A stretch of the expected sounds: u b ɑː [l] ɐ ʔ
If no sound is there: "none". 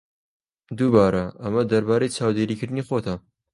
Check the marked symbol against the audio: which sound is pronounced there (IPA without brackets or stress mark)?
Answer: ɾ